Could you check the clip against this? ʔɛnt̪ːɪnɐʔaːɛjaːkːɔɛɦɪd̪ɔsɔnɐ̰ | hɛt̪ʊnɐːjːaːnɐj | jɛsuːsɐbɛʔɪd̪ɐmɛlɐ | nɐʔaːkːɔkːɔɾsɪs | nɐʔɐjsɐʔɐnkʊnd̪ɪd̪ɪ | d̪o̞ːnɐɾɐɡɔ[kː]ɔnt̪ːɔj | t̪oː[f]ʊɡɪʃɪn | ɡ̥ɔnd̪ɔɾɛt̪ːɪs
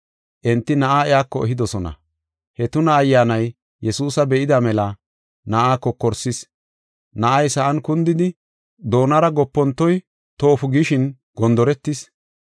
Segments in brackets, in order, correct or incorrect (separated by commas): incorrect, correct